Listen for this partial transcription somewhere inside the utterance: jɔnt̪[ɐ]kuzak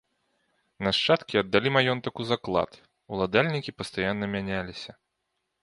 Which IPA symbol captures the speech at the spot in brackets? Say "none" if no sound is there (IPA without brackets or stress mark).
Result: ɐ